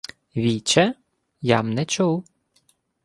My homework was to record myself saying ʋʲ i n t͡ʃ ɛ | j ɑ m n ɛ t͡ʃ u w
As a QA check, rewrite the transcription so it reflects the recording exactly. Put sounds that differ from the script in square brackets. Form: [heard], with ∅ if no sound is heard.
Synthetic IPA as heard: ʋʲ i [∅] t͡ʃ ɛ | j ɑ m n ɛ t͡ʃ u w

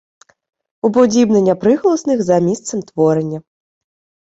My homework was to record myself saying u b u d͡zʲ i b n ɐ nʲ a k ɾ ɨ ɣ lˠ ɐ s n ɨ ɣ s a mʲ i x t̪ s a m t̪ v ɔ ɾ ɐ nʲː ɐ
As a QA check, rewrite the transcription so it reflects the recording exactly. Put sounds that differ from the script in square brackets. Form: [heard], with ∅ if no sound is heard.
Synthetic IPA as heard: u b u d͡zʲ i b n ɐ nʲ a [p] ɾ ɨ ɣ lˠ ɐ s n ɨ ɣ [z] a mʲ i [s] t̪ s [ɐ] m t̪ v ɔ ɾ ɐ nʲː ɐ

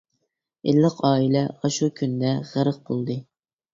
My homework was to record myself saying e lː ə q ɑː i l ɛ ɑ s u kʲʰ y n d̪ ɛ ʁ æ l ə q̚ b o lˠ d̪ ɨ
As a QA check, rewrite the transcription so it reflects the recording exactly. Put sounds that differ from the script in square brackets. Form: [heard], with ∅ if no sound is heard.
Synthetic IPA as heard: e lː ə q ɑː i l ɛ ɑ [ʃ] u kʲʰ y n d̪ ɛ ʁ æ [ɾ] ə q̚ b o lˠ d̪ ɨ

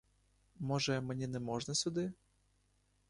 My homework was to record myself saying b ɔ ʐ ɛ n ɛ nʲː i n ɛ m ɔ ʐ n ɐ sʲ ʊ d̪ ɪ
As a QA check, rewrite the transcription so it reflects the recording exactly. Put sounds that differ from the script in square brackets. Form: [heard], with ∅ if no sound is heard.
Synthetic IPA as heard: [m] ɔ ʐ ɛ [m] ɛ [nʲ] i n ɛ m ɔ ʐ n ɐ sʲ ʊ d̪ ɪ

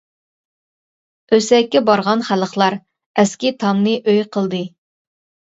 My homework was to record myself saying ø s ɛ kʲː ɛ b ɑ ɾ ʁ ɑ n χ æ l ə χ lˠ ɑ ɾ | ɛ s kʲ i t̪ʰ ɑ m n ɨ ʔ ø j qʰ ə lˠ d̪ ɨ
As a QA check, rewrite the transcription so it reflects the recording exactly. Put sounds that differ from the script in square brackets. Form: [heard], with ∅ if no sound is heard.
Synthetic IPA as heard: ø s ɛ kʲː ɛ b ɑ ɾ ʁ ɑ n χ æ l ə χ lˠ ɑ ɾ | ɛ s kʲ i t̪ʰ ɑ m n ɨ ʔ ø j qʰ ə lˠ d̪ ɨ

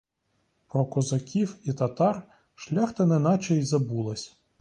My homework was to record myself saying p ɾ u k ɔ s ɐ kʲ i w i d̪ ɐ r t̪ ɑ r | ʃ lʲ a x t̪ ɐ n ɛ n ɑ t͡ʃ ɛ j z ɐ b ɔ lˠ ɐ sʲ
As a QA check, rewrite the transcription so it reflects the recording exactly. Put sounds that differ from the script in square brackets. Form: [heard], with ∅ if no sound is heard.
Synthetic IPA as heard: p ɾ [ɔ] k ɔ [z] ɐ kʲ i w i [t̪] ɐ [∅] t̪ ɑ r | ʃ lʲ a x t̪ ɐ n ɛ n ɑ t͡ʃ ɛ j z ɐ b [u] lˠ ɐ sʲ

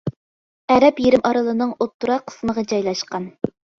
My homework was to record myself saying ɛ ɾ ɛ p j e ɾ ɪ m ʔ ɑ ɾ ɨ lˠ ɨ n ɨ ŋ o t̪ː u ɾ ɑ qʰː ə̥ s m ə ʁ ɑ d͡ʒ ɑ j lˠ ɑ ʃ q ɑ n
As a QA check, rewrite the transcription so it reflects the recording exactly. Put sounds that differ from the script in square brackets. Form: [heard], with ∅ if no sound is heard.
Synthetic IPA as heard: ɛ ɾ ɛ p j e ɾ ɪ m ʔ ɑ ɾ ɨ lˠ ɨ n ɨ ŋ o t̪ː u ɾ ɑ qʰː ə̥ s m ə ʁ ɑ d͡ʒ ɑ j lˠ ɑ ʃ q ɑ n

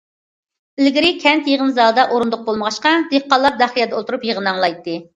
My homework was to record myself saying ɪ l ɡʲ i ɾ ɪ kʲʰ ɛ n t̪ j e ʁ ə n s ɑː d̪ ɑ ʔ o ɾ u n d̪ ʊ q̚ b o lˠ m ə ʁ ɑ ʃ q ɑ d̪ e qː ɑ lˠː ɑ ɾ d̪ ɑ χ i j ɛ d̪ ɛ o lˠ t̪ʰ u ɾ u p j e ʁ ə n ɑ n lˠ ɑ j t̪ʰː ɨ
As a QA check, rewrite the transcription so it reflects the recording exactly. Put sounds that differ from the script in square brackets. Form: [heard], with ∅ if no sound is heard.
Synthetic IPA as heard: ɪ l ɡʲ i ɾ ɪ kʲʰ ɛ n t̪ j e ʁ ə n [z] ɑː d̪ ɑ ʔ o ɾ u n d̪ ʊ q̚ b o lˠ m ə ʁ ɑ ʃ q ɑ d̪ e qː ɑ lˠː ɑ ɾ d̪ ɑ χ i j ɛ d̪ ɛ o lˠ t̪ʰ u ɾ u p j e ʁ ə n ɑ [ŋ] lˠ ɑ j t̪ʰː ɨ

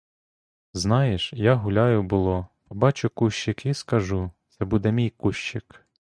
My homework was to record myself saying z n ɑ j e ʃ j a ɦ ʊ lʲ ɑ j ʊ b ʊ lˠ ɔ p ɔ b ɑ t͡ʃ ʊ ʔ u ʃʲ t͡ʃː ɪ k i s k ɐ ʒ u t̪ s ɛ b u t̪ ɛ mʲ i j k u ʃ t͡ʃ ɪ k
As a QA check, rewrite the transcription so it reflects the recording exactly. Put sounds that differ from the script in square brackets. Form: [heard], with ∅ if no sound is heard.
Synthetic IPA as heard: z n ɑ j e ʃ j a ɦ ʊ lʲ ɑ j ʊ b ʊ lˠ ɔ p ɔ b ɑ t͡ʃ ʊ [k] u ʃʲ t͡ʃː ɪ k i s k ɐ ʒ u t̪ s ɛ b u [d̪] ɛ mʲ i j k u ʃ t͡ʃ ɪ k

